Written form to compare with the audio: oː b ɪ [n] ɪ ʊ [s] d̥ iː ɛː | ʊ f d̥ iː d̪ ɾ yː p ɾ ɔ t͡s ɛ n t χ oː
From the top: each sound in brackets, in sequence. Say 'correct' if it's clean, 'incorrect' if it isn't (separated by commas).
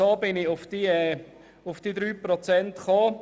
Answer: correct, incorrect